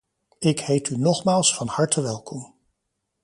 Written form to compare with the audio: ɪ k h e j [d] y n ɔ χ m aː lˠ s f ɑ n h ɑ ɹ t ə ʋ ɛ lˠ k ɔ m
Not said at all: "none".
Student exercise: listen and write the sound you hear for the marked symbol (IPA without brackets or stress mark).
t